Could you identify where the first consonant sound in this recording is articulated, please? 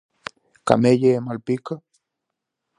velar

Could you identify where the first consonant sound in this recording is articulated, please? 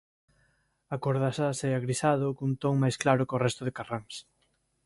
velar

